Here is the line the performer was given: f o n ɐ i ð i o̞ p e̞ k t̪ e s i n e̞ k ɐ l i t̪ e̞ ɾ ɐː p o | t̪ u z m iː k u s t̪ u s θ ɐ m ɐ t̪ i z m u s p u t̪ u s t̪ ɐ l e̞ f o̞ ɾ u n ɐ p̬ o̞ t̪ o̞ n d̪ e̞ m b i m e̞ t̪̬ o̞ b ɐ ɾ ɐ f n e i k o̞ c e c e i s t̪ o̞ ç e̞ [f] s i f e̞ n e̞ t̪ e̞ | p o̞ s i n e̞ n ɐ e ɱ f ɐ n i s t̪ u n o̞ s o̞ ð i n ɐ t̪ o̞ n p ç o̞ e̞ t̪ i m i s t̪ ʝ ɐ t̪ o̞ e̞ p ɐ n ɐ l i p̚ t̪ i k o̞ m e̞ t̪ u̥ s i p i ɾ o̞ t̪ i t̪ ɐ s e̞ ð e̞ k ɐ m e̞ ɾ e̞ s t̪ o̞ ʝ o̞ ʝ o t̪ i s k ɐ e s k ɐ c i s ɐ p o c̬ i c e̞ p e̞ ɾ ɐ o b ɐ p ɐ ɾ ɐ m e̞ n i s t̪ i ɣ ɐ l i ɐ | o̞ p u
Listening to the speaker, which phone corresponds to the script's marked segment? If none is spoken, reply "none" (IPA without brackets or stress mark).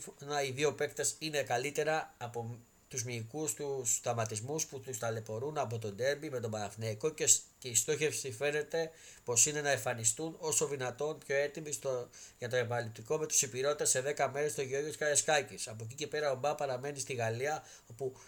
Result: f